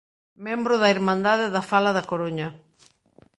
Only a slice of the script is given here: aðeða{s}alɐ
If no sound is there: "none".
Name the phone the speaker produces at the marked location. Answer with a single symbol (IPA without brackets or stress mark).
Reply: f